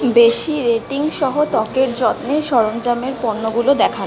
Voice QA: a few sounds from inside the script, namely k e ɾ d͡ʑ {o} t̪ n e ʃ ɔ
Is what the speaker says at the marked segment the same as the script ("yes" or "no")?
no